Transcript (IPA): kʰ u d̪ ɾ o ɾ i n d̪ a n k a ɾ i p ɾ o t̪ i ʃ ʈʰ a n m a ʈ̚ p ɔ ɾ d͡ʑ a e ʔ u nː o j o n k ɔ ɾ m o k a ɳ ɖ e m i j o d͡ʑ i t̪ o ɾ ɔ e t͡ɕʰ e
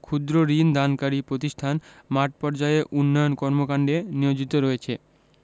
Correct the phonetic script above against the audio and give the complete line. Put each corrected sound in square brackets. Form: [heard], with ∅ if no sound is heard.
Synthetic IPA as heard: kʰ u d̪ ɾ o ɾ i n d̪ a n k a ɾ i p ɾ o t̪ i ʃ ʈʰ a n m a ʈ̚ p ɔ ɾ d͡ʑ a e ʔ u nː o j o n k ɔ ɾ m o k a ɳ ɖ e [n] i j o d͡ʑ i t̪ o ɾ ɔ e t͡ɕʰ e